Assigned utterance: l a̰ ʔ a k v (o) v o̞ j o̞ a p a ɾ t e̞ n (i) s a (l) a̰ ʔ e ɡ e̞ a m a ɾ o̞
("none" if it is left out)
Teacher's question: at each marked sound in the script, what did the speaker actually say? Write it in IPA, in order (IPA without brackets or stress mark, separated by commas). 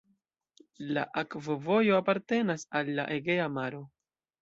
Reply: o, a, lː